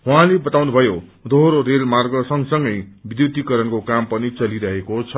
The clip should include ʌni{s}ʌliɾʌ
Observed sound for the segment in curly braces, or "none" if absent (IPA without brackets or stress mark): t͡s